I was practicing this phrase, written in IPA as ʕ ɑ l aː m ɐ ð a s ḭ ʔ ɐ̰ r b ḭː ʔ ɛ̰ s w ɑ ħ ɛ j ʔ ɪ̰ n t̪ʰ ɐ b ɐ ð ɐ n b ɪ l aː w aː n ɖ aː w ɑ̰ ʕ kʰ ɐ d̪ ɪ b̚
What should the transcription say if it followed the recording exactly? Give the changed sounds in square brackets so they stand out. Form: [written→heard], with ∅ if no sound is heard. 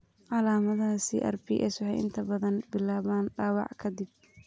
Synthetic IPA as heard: ʕ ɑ l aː m ɐ ð a s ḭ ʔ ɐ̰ r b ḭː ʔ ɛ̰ s w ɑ ħ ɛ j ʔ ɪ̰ n t̪ʰ ɐ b ɐ ð ɐ n b ɪ l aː [w→β] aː n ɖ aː w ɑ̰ ʕ kʰ ɐ d̪ ɪ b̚